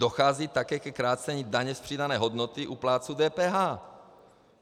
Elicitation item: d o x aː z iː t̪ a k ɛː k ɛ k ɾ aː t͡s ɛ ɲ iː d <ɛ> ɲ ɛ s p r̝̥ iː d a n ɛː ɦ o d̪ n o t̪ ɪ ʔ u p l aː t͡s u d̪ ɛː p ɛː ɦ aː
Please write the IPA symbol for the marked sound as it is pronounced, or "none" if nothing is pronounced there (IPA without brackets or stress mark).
a